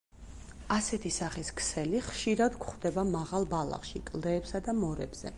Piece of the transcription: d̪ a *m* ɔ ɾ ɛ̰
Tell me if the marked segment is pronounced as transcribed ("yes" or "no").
yes